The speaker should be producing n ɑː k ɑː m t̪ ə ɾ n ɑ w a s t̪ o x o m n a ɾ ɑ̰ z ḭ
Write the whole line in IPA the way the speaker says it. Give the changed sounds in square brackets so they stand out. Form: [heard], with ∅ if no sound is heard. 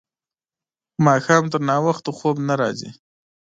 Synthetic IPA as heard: [m] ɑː [x] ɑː m t̪ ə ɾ n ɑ w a [x] t̪ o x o [b] n a ɾ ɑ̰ z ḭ